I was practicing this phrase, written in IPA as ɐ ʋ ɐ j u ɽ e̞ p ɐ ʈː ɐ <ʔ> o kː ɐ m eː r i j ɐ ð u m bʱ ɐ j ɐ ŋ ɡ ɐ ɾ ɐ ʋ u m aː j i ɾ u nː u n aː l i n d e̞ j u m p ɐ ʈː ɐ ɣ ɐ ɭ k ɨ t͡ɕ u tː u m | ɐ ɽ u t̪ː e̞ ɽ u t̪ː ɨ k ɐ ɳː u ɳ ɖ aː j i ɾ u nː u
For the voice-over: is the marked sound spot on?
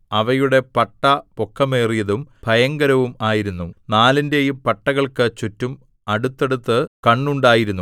no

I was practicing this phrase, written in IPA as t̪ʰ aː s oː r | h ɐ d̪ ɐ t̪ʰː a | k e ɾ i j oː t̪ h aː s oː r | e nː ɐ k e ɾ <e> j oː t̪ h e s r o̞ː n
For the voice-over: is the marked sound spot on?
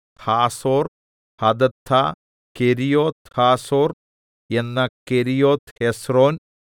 no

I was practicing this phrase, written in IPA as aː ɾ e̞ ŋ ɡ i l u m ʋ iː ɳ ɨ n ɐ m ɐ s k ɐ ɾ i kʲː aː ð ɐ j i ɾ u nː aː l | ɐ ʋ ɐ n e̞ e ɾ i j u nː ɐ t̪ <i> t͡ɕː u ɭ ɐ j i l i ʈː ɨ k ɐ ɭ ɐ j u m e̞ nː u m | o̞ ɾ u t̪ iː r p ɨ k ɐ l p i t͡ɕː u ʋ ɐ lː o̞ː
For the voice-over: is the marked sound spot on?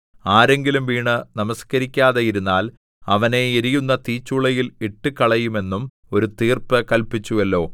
no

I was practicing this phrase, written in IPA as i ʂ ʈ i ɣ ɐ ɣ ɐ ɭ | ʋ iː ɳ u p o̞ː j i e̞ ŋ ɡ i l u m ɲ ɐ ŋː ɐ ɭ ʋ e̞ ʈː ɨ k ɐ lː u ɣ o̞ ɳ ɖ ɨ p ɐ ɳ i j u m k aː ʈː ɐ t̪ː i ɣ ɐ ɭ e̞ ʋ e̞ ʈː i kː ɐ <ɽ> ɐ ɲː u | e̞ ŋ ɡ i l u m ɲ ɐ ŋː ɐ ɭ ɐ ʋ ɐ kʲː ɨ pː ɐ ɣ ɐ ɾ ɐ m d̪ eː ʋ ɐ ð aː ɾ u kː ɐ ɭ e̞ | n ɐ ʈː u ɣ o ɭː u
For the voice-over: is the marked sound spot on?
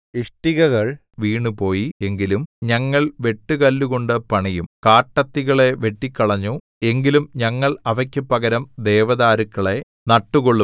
no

